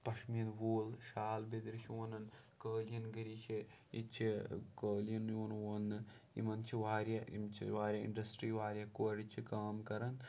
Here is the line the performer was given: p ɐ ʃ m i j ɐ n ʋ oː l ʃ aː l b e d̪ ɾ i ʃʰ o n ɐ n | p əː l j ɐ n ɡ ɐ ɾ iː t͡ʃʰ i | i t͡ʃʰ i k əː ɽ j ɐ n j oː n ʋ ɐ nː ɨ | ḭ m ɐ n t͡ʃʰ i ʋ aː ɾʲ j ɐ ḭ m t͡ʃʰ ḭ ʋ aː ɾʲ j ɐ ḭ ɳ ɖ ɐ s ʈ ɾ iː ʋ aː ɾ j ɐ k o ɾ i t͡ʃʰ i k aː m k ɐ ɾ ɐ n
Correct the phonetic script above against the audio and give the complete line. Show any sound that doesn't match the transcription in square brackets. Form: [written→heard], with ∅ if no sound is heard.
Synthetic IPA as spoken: p ɐ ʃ m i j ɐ n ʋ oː l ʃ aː l b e d̪ ɾ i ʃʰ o n ɐ n | [p→k] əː l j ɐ n ɡ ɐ ɾ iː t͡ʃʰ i | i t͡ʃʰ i k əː [ɽ→l] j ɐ n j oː n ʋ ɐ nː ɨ | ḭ m ɐ n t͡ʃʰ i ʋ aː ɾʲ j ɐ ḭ m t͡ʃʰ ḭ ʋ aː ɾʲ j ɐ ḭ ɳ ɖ ɐ s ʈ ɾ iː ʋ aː ɾ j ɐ k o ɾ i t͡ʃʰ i k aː m k ɐ ɾ ɐ n